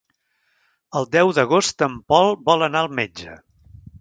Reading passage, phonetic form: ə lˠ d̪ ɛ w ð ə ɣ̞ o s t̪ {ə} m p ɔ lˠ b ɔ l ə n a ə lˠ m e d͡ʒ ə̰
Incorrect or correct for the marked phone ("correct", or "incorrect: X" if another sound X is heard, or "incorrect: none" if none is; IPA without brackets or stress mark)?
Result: correct